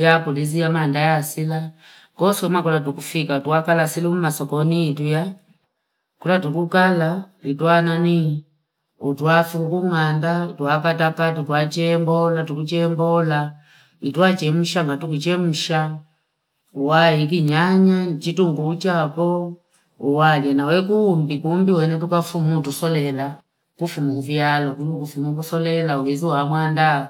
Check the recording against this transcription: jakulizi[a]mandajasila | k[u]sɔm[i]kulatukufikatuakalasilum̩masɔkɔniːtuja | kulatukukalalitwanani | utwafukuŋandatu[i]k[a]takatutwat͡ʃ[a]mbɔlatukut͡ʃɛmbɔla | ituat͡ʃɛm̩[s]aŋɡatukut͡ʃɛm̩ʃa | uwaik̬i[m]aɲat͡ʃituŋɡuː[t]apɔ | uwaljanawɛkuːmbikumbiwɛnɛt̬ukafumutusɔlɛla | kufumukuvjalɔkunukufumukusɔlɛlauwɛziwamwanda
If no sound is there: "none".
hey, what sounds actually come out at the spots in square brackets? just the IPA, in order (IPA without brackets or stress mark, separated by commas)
a, ɔ, a, a, a, ɛ, ʃ, ɲ, t͡ʃ